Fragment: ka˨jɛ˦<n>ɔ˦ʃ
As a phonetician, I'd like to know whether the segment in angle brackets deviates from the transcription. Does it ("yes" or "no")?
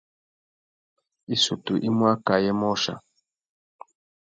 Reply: yes